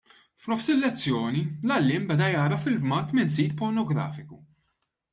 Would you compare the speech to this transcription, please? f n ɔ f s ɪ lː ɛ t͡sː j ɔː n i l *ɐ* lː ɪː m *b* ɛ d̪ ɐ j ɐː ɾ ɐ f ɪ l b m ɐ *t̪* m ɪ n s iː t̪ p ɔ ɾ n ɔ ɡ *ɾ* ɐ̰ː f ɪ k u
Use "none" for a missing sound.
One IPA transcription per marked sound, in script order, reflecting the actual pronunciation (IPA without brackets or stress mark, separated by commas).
ɐ, b, t̪, ɾ